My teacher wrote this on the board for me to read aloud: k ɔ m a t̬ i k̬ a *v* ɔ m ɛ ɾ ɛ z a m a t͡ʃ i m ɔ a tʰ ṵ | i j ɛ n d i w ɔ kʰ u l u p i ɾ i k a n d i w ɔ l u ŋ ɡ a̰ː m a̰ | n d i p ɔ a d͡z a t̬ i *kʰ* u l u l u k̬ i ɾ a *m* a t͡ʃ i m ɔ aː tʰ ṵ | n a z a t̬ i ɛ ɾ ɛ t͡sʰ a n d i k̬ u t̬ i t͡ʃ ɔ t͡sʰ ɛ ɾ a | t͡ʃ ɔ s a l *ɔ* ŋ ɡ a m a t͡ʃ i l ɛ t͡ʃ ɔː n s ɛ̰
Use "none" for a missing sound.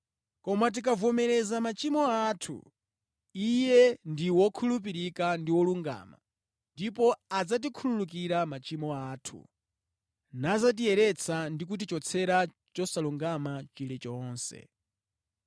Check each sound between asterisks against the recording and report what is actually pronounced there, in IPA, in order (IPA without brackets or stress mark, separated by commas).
v, kʰ, m, u